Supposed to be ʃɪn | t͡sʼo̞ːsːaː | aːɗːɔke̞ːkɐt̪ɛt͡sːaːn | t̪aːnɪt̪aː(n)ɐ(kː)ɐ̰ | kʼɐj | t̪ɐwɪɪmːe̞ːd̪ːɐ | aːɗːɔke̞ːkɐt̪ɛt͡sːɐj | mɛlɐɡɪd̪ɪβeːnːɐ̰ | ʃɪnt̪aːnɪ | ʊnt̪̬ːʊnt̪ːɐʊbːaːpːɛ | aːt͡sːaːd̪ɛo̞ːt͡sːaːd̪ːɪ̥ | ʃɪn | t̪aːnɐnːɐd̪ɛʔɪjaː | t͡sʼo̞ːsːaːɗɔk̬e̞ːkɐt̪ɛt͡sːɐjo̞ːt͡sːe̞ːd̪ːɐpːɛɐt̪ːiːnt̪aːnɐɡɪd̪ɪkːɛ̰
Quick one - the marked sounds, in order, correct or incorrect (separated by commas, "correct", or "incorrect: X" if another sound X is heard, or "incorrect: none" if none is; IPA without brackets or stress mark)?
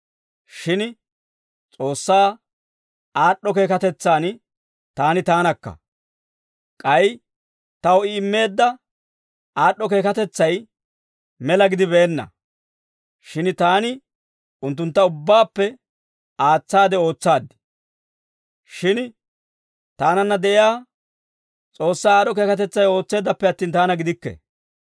correct, correct